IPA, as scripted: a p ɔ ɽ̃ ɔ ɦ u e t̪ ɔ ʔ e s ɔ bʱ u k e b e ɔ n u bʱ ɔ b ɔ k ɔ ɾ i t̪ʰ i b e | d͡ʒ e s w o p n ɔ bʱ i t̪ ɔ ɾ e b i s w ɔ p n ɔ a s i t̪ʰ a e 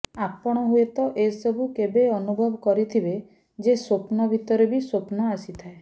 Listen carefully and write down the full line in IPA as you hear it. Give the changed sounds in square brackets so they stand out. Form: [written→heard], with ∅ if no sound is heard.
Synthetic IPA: a p ɔ ɽ̃ ɔ ɦ u e t̪ ɔ ʔ e s ɔ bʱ u k e b e ɔ n u bʱ ɔ b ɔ k ɔ ɾ i t̪ʰ i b e | d͡ʒ e s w o p n ɔ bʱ i t̪ ɔ ɾ e b i s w [ɔ→o] p n ɔ a s i t̪ʰ a e